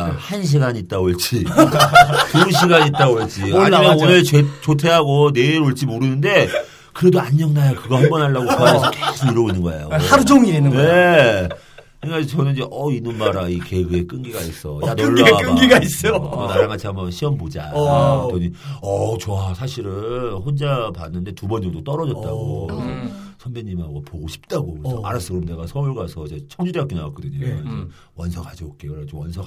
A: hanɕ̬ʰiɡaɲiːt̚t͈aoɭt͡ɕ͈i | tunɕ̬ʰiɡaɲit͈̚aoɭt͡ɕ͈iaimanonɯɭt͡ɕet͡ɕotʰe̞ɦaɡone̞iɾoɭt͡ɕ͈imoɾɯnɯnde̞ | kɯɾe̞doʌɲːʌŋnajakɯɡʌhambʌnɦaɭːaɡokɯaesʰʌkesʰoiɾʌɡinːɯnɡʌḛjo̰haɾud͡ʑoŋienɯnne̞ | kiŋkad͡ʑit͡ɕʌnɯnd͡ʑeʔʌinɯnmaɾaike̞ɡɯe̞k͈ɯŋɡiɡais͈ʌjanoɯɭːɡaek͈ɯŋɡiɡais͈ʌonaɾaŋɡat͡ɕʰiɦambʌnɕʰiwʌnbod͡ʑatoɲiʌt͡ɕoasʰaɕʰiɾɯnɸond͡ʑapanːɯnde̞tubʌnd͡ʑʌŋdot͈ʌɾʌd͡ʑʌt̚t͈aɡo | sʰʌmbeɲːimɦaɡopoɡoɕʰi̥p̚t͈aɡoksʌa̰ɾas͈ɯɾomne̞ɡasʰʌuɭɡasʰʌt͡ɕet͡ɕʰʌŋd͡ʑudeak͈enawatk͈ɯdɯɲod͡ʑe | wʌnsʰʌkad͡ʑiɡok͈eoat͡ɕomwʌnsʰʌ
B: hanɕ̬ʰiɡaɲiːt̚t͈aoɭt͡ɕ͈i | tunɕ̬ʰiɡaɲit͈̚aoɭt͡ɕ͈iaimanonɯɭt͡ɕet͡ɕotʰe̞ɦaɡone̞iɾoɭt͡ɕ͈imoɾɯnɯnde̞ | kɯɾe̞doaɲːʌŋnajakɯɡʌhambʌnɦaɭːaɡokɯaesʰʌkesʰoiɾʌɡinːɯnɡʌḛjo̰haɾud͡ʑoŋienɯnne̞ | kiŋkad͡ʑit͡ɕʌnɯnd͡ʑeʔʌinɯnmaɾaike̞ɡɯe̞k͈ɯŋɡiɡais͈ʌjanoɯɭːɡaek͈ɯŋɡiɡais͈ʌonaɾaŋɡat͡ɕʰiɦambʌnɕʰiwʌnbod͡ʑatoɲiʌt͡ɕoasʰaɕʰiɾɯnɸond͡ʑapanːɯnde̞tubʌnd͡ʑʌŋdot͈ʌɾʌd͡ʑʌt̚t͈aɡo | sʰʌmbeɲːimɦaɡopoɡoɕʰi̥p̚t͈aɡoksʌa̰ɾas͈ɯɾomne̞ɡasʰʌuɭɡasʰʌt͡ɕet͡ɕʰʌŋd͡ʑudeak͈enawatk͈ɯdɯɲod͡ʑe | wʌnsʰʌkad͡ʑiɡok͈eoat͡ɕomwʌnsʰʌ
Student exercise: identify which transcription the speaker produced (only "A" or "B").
B